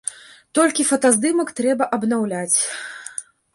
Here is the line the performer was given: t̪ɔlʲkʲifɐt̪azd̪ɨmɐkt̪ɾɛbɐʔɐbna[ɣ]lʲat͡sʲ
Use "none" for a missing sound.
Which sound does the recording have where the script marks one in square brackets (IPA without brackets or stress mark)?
w